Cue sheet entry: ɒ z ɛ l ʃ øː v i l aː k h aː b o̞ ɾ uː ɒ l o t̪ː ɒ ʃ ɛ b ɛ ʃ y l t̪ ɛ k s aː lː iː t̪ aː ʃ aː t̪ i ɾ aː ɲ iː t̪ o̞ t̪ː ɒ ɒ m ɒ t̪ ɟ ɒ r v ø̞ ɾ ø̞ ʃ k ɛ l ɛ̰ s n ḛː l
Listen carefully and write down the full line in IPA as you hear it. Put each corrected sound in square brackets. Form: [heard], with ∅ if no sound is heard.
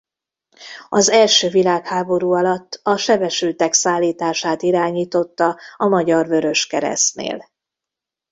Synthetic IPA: ɒ z ɛ l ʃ øː v i l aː k h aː b o̞ ɾ uː ɒ l [ɒ] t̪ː ɒ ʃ ɛ b ɛ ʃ y l t̪ ɛ k s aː lː iː t̪ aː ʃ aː t̪ i ɾ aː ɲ iː t̪ o̞ t̪ː ɒ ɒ m ɒ [∅] ɟ ɒ r v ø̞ ɾ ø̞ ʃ k ɛ [ɾ] ɛ̰ s n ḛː l